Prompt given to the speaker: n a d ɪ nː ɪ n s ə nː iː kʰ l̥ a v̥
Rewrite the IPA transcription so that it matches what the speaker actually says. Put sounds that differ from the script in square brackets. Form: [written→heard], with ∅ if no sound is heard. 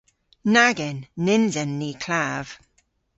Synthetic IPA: n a [d→ɡ] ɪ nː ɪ n [s→z] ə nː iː kʰ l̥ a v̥